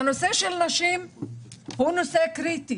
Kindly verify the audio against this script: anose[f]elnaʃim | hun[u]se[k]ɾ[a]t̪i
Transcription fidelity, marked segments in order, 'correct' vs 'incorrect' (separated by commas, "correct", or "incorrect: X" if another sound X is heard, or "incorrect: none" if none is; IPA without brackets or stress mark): incorrect: ʃ, incorrect: o, correct, incorrect: i